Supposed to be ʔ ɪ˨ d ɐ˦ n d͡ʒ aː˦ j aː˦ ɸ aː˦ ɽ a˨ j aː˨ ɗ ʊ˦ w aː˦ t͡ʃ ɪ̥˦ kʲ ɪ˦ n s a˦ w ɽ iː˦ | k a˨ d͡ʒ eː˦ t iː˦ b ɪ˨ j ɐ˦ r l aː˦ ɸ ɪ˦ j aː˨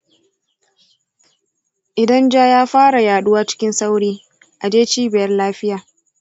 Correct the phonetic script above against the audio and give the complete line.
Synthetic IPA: ʔ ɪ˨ d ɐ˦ n d͡ʒ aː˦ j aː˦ ɸ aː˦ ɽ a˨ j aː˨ ɗ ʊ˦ w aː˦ t͡ʃ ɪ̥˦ kʲ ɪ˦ n s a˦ w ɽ iː˦ | ʔ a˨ d͡ʒ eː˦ t͡ʃ iː˦ b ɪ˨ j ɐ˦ r l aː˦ ɸ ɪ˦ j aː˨